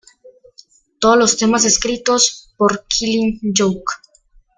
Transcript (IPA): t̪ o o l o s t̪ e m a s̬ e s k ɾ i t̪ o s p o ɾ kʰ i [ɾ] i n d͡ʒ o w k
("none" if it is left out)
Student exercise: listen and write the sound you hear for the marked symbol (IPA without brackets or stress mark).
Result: l